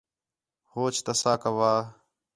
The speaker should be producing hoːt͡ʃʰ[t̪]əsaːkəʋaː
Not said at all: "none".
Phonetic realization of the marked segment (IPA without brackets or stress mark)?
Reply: t̪